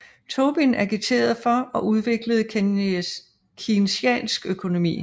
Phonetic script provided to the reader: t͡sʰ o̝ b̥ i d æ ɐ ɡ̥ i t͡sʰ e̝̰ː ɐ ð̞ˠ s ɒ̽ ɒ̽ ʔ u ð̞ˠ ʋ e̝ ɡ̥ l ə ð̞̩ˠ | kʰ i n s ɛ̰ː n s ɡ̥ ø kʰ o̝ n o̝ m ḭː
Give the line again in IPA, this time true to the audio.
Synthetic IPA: t͡sʰ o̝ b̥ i n æ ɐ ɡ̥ i t͡sʰ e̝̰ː ɐ ð̞ˠ f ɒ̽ ɒ̽ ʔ u ð̞ˠ ʋ e̝ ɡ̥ l ə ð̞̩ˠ | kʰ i n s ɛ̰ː n s ɡ̥ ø kʰ o̝ n o̝ m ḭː